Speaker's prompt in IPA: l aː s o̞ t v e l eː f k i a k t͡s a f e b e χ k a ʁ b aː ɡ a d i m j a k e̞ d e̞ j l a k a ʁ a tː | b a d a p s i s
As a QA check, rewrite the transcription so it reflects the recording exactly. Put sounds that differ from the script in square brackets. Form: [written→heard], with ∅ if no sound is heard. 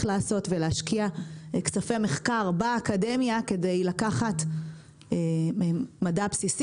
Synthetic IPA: l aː s o̞ t v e l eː [f→ʃ] k i a k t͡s a f e [b→m] e χ k a ʁ b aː [ɡ→k] a d [i→e] m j a k e̞ d e̞ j l a k a [ʁ→χ] a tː | [b→m] a d a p s i s